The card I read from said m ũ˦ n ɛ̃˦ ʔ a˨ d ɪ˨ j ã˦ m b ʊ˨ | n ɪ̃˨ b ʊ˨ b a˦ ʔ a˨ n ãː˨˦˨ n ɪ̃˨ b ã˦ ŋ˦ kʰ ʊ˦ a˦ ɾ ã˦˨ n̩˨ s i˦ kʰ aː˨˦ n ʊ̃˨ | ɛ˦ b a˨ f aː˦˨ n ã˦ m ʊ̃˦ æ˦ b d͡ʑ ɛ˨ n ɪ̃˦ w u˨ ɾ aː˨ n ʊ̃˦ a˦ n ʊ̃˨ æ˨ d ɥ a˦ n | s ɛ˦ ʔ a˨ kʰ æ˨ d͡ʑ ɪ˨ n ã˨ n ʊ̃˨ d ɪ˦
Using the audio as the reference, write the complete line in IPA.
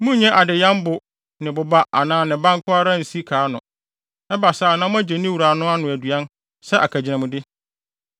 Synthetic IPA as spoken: m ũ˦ ɲ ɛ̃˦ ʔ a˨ d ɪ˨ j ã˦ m b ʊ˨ | n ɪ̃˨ b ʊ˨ b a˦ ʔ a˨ n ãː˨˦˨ n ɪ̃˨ b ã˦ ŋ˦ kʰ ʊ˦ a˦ ɾ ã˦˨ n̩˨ s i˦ kʰ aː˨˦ n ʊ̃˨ | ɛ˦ b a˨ s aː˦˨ n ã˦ m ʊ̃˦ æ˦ d͡ʑ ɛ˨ n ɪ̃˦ w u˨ ɾ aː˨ n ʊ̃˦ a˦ n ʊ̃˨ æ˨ d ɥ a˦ n | s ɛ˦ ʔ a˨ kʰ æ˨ d͡ʑ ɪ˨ n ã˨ m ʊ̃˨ d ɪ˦